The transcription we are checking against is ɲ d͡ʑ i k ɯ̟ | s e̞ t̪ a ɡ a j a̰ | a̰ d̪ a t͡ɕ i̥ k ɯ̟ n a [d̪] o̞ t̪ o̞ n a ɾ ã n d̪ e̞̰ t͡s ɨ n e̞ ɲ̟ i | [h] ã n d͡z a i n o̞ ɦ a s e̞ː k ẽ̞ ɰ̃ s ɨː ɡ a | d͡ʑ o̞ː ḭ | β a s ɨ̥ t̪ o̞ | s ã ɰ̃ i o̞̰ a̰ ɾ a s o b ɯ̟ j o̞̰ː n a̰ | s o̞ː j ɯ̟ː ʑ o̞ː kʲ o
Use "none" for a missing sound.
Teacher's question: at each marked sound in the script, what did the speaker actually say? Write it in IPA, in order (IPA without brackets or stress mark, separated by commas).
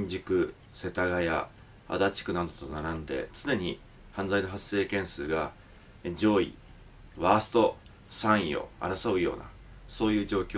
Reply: d̪, h